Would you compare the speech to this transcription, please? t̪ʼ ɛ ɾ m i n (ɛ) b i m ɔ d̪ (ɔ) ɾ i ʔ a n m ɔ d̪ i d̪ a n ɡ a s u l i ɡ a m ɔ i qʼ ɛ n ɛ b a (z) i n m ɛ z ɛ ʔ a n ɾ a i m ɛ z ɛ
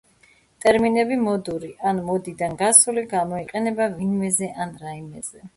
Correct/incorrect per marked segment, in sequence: correct, incorrect, incorrect

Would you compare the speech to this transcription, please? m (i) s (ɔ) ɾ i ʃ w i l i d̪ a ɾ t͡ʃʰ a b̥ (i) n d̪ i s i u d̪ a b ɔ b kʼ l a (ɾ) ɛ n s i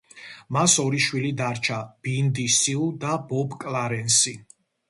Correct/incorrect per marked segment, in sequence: incorrect, correct, correct, correct

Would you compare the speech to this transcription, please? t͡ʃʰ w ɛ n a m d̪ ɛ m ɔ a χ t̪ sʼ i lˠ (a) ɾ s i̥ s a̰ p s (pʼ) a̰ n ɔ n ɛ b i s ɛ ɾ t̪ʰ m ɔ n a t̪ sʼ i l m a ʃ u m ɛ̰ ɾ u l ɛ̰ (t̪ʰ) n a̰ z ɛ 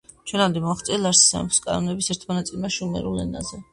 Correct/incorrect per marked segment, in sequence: correct, incorrect, incorrect

